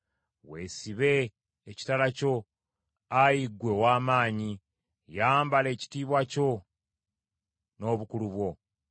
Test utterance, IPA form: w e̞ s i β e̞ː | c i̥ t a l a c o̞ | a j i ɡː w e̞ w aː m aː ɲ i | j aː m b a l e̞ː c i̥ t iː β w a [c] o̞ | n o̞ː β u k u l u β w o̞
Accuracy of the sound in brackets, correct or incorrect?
correct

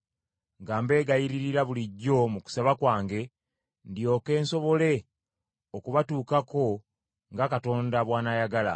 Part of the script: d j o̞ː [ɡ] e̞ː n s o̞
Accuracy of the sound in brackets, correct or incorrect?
incorrect: k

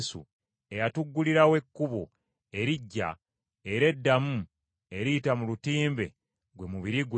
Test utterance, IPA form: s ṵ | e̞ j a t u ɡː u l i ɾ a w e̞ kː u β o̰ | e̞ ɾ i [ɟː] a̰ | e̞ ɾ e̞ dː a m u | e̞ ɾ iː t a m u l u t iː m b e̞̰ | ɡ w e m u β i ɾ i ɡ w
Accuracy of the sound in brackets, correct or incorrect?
correct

